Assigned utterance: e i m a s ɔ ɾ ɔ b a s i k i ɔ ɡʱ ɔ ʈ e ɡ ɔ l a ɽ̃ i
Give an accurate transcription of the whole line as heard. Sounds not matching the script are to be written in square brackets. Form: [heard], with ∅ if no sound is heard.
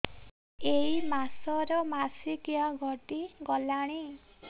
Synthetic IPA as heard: e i m a s ɔ ɾ ɔ [m] a s i k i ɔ ɡʱ ɔ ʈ [i] ɡ ɔ l a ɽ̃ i

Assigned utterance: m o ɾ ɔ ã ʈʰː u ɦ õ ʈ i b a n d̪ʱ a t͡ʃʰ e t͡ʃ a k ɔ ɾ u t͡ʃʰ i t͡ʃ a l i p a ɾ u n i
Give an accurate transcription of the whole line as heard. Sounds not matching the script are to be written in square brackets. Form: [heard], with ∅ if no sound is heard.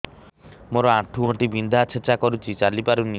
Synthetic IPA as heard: m o ɾ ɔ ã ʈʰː u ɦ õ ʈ i b [i] n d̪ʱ a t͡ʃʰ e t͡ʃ a k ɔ ɾ u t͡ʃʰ i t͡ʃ a l i p a ɾ u n i

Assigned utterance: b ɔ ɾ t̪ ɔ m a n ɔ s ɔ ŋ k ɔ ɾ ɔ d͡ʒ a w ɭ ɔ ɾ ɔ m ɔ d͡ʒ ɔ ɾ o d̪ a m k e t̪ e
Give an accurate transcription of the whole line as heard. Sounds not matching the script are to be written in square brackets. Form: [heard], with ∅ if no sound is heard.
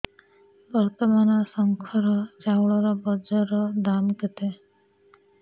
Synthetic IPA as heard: b ɔ ɾ t̪ ɔ m a n ɔ s ɔ ŋ [kʰ] ɔ ɾ ɔ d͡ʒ a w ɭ ɔ ɾ ɔ [b] ɔ d͡ʒ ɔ ɾ [ɔ] d̪ a m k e t̪ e

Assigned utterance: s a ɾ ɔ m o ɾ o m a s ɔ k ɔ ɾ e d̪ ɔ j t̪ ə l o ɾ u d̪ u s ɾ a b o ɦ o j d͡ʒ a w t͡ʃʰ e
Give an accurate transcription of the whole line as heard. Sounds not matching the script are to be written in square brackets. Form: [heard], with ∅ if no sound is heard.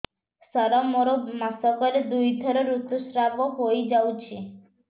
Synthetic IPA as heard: s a ɾ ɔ m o ɾ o m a s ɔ k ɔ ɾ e d̪ [u] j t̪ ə [ɾ] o ɾ u [t̪] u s ɾ a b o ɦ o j d͡ʒ a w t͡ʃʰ e

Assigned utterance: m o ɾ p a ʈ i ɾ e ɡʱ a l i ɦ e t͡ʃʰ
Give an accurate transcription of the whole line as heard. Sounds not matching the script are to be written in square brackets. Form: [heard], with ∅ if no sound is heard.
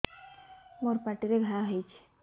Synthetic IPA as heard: m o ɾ p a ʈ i ɾ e ɡʱ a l [a] ɦ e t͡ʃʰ

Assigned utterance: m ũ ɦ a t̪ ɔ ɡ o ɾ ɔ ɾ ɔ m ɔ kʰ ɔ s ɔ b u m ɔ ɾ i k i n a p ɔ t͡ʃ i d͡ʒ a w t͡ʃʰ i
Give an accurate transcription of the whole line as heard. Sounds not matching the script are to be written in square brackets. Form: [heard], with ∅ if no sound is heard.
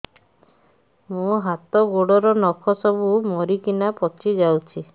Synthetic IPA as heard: m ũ ɦ a t̪ ɔ ɡ o [ɽ] ɔ ɾ ɔ [n] ɔ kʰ ɔ s ɔ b u m ɔ ɾ i k i n a p ɔ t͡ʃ i d͡ʒ a w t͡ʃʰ i

